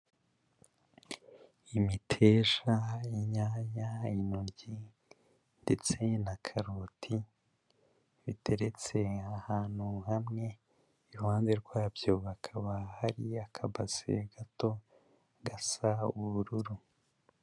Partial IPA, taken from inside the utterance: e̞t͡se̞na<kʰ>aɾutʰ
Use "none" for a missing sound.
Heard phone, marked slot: kʰ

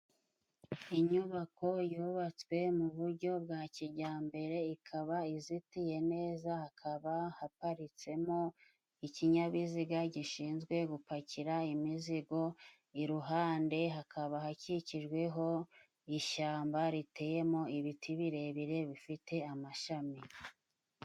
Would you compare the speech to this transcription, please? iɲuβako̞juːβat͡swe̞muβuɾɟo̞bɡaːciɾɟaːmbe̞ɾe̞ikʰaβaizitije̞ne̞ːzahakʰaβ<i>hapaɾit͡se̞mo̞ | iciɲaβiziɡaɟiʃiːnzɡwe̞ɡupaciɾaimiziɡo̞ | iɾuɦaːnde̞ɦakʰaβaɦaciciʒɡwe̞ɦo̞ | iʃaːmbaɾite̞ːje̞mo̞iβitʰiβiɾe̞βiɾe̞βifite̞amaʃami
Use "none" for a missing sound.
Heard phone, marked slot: a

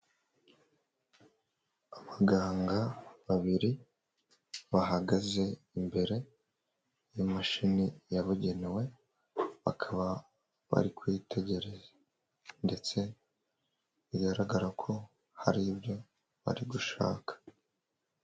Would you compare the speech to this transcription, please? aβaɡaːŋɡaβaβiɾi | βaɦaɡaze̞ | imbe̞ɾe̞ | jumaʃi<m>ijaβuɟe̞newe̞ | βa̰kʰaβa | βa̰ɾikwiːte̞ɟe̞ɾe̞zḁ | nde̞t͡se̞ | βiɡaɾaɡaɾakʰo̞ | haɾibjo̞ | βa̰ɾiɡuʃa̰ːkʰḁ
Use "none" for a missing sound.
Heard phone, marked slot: n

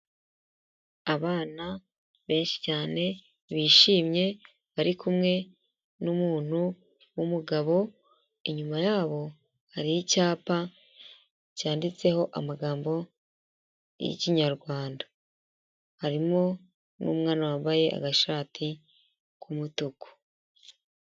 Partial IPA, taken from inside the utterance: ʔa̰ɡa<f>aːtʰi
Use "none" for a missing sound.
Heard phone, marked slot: ʃ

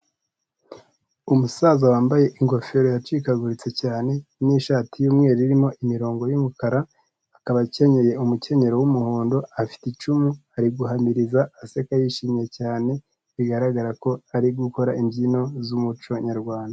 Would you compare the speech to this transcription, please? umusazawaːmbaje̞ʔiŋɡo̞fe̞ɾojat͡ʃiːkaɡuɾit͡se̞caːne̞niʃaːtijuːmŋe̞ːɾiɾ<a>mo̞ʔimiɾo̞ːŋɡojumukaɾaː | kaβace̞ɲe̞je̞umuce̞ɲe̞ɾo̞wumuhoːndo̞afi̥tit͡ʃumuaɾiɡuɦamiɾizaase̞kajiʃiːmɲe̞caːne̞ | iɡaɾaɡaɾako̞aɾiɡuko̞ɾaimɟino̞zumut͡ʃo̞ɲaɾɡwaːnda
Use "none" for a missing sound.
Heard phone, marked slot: i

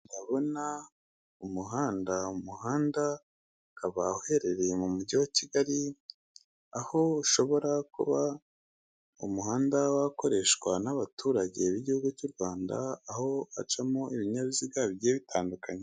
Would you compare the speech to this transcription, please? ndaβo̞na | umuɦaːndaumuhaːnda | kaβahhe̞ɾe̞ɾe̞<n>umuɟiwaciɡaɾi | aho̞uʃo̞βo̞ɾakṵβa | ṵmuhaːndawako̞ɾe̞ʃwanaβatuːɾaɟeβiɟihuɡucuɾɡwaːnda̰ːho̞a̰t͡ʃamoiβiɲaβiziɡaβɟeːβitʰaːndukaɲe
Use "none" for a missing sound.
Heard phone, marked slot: m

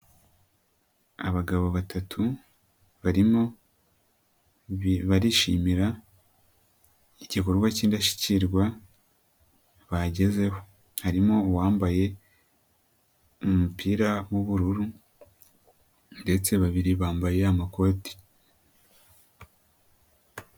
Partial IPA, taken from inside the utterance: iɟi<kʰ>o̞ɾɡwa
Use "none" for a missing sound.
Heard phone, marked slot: k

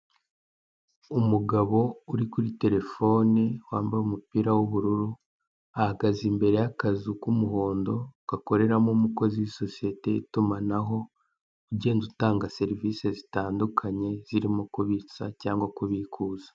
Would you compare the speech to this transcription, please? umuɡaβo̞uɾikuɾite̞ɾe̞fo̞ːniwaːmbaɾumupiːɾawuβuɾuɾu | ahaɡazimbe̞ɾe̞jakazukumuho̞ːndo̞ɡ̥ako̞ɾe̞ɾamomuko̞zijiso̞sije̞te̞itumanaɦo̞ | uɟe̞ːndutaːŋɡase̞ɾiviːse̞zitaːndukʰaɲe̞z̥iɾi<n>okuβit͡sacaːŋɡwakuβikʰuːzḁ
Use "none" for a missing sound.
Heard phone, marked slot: m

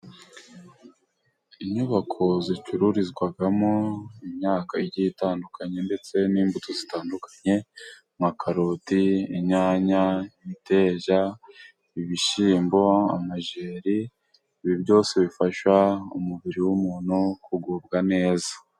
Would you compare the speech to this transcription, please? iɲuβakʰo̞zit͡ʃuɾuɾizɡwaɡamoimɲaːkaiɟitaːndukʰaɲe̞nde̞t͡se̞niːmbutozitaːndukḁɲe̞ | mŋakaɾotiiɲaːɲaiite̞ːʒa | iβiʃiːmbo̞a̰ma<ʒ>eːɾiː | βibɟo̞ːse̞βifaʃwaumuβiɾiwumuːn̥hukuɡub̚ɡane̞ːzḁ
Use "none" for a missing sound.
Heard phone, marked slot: ʒ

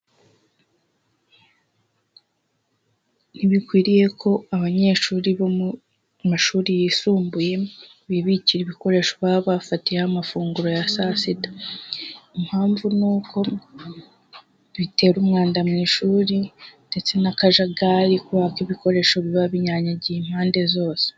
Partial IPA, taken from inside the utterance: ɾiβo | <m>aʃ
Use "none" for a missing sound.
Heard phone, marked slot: m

